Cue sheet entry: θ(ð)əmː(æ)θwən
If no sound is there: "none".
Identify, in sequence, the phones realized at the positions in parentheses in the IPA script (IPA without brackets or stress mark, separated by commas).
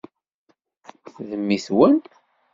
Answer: ð, i